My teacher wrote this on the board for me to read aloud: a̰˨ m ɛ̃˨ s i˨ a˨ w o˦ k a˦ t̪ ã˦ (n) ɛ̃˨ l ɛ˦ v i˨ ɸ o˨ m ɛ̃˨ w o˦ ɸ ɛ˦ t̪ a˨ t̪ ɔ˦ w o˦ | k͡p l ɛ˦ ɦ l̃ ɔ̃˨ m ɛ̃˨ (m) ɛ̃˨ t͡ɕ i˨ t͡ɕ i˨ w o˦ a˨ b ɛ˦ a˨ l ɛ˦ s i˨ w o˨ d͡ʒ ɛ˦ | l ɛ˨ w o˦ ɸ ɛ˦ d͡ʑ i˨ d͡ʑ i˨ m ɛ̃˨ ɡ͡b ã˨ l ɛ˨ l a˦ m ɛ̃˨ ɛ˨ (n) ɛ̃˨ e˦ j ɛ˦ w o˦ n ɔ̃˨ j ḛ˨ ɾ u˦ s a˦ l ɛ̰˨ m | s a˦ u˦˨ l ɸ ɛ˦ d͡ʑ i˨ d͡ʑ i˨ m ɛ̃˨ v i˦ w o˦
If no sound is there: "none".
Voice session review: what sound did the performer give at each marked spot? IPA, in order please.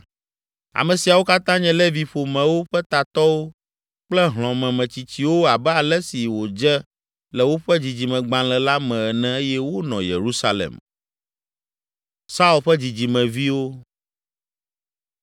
ɲ, m, n

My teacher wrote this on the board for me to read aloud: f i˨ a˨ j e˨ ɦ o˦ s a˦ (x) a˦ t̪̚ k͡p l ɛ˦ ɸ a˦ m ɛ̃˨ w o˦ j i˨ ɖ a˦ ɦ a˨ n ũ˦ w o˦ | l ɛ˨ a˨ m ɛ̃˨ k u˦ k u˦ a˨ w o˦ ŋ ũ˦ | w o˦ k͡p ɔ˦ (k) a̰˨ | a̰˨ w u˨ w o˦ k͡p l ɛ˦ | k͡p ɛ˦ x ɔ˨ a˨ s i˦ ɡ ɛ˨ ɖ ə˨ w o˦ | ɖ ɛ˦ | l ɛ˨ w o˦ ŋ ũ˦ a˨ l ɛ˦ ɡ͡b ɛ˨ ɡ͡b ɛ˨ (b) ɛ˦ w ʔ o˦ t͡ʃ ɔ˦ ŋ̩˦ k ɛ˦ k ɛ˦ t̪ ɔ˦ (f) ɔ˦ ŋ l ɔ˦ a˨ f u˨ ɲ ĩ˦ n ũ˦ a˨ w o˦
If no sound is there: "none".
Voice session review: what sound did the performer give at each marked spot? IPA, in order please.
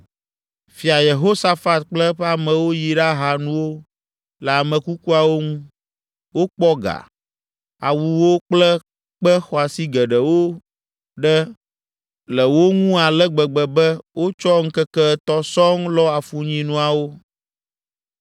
f, ɡ, b, s

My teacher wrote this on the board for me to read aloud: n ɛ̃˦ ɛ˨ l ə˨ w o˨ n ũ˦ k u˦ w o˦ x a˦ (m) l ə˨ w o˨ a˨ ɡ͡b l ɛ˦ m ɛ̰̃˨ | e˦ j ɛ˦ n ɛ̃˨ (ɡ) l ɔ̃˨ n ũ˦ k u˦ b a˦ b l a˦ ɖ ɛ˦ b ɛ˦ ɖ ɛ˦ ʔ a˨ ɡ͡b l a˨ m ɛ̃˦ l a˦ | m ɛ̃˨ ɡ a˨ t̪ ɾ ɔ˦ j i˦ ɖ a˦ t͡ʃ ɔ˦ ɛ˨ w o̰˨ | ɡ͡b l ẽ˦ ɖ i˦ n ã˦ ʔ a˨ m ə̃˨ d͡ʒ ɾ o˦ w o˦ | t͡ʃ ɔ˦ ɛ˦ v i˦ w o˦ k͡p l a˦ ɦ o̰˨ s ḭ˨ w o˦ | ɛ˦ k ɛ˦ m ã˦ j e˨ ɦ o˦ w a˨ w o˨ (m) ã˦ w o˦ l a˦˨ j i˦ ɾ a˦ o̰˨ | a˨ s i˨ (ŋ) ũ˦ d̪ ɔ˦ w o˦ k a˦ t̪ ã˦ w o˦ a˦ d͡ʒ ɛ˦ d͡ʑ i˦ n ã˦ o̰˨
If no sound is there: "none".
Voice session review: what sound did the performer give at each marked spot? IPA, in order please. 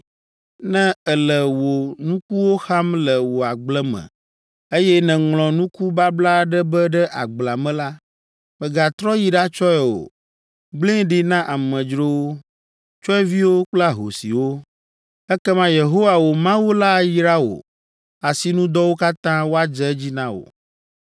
m, ŋ, m, n

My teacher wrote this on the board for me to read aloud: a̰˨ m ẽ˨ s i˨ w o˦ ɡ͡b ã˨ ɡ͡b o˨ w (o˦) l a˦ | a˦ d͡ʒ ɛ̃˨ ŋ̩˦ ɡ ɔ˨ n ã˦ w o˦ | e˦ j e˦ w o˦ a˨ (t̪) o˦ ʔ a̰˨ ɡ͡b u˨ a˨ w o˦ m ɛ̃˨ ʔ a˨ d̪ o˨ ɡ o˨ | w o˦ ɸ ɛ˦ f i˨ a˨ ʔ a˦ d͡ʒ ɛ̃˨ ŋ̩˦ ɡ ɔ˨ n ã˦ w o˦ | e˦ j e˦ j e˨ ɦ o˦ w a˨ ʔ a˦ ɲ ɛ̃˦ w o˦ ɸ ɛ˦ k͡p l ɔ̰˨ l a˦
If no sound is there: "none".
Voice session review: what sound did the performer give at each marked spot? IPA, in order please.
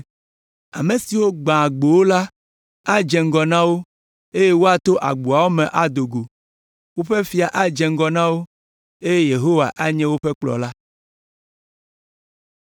o˦, t̪

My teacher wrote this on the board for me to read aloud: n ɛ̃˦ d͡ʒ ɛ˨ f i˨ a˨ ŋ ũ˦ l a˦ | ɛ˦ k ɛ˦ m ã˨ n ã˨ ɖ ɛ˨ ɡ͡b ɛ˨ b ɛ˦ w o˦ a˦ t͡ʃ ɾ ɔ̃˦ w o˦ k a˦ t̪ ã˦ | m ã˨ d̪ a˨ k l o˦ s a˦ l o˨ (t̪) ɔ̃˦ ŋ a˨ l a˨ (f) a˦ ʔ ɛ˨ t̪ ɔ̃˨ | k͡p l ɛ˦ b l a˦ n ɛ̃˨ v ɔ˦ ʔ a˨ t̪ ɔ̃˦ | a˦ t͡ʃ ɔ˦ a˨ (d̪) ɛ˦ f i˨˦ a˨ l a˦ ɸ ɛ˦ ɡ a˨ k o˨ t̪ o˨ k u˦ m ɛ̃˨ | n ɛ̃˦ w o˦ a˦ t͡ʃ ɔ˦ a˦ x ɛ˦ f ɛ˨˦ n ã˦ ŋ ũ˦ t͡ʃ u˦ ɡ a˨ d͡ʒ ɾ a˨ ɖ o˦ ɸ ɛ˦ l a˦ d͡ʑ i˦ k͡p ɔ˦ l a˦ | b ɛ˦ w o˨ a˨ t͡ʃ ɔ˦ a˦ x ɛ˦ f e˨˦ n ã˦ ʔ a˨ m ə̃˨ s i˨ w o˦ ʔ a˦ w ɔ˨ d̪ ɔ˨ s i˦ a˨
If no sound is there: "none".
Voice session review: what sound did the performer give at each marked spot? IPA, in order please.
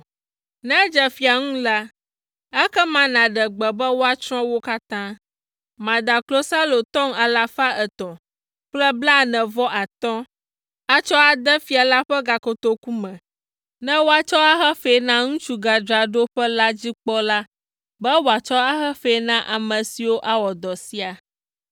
t̪, f, d̪

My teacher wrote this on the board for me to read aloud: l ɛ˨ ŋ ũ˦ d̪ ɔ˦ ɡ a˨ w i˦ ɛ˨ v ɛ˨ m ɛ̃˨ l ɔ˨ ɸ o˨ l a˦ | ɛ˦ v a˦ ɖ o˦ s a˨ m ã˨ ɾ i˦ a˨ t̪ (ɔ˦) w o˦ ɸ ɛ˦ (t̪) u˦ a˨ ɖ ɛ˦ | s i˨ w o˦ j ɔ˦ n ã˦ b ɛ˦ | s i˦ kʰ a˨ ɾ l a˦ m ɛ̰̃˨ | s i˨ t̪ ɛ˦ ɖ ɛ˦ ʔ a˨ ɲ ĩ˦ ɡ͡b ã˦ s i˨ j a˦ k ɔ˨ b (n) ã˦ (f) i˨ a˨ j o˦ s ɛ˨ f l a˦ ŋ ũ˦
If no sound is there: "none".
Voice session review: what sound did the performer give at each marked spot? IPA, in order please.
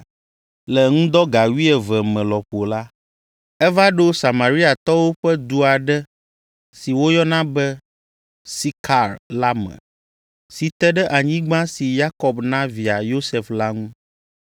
ɔ˦, d̪, n, v

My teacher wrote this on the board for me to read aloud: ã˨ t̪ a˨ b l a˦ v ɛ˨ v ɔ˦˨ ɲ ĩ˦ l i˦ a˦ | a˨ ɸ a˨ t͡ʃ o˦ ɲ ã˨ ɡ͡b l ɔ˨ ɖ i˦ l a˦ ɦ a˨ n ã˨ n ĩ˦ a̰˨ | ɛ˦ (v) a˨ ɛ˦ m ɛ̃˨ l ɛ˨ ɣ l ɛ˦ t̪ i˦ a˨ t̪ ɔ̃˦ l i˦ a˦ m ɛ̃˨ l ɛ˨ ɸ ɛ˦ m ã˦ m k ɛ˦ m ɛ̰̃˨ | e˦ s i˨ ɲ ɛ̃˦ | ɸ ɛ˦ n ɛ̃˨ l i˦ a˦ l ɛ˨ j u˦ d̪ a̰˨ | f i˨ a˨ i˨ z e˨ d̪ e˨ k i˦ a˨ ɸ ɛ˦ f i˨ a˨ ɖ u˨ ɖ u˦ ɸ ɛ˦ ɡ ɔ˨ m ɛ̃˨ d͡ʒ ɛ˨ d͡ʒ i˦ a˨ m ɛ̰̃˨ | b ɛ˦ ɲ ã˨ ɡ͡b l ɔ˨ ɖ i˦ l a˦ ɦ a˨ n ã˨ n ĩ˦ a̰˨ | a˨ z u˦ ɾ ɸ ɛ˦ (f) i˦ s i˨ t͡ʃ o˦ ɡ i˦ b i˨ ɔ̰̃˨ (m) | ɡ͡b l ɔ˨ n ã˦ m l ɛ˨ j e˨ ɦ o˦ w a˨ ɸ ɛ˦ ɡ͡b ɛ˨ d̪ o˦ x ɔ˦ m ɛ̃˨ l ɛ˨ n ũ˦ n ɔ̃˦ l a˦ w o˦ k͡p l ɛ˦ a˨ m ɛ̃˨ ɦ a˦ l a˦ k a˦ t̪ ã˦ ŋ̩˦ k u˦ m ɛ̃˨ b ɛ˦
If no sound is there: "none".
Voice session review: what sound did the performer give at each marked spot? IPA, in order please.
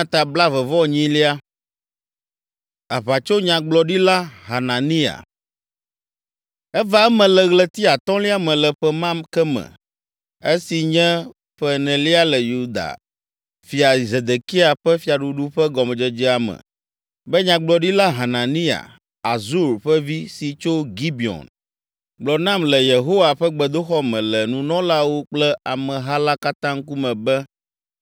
v, v, n

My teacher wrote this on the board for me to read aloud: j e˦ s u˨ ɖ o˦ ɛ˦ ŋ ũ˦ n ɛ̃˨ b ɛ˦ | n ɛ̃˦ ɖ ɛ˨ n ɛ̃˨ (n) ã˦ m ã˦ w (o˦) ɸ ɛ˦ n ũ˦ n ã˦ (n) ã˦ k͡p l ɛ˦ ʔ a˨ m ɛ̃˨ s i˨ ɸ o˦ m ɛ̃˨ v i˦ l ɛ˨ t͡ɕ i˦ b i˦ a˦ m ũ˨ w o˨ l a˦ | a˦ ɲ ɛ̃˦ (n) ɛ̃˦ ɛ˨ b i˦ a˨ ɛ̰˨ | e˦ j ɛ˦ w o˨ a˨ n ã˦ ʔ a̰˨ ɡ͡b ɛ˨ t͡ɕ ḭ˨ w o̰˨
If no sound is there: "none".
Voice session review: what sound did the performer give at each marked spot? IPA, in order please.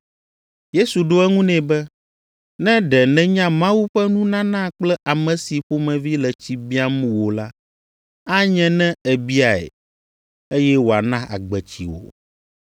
ɲ, u˦, n, n

